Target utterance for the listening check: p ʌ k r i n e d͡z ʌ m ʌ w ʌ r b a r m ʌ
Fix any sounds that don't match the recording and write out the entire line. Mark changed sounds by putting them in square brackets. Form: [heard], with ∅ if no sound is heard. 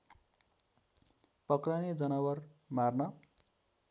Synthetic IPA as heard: p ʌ k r [a] n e d͡z ʌ [n] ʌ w ʌ r [m] a r [n] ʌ